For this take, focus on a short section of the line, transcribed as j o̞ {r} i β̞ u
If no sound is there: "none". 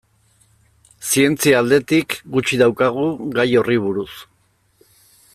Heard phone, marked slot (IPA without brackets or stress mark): r